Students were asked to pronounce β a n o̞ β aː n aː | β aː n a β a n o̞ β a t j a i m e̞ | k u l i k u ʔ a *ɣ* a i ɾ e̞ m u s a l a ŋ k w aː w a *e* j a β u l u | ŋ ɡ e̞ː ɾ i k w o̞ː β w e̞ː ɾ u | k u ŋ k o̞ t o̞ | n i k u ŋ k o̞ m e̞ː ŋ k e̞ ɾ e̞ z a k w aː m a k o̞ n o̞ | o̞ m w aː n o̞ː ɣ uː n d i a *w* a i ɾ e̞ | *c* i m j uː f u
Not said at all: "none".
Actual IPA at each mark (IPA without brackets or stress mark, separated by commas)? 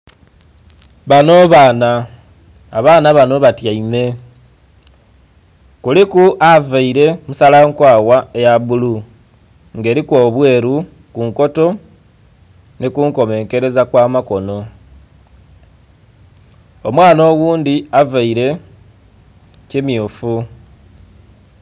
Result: v, e, v, c